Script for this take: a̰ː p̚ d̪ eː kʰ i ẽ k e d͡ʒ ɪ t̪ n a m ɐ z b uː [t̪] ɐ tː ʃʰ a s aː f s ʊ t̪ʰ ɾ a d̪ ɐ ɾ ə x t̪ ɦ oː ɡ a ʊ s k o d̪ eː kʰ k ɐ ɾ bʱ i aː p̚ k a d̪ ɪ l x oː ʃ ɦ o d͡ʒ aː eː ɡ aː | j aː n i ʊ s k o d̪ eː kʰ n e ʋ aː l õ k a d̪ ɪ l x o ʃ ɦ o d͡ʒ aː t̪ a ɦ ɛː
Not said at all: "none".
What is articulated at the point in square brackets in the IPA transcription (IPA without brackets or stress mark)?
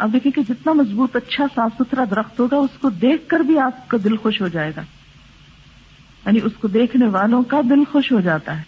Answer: t̪